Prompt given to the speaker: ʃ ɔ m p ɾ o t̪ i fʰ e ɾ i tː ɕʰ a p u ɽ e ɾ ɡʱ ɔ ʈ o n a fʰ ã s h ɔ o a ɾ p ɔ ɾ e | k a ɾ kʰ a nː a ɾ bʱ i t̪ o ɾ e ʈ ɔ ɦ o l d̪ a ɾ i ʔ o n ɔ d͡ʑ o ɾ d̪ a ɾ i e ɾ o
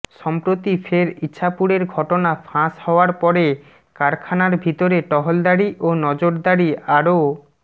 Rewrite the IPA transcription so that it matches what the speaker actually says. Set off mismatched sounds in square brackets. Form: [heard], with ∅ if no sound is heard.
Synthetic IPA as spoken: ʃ ɔ m p ɾ o t̪ i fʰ e ɾ i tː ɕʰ a p u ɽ e ɾ ɡʱ ɔ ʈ o n a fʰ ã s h ɔ o a ɾ p ɔ ɾ e | k a ɾ kʰ a [n] a ɾ bʱ i t̪ o ɾ e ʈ ɔ ɦ o l d̪ a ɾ i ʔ o n ɔ d͡ʑ o ɾ d̪ a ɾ i [a] ɾ o